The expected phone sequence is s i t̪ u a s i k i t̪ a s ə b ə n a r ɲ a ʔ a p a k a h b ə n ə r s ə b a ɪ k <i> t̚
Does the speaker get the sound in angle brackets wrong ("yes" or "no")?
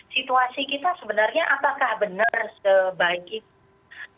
no